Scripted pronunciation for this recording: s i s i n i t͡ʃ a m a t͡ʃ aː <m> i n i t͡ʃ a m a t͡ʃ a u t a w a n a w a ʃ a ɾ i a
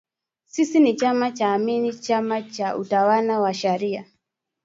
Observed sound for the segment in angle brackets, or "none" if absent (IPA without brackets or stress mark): m